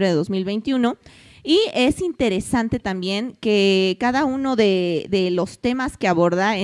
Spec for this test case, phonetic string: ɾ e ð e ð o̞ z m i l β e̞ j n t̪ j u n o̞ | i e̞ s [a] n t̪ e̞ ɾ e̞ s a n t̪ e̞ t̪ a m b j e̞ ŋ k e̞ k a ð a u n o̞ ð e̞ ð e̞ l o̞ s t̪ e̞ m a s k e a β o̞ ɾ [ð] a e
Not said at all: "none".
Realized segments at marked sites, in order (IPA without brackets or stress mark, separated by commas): i, ð